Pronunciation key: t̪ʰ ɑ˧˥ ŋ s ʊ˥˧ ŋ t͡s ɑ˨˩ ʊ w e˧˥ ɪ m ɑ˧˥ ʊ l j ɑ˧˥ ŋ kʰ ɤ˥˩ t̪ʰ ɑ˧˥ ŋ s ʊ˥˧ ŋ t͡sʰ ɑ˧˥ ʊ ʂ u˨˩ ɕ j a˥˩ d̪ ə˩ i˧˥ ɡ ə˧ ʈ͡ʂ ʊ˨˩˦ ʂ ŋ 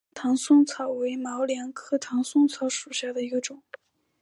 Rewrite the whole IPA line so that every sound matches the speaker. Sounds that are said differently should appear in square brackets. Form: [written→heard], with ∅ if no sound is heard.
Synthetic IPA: t̪ʰ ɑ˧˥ ŋ s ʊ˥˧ ŋ [t͡s→t͡sʰ] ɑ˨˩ ʊ w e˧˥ ɪ m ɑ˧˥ ʊ l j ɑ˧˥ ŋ kʰ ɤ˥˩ t̪ʰ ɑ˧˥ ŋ s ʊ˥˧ ŋ t͡sʰ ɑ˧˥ ʊ ʂ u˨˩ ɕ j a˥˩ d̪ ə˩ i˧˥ ɡ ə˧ ʈ͡ʂ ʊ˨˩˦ [ʂ→∅] ŋ